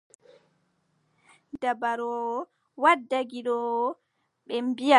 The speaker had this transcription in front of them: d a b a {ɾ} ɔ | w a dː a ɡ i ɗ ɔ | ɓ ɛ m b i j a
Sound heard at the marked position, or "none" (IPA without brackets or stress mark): ɾ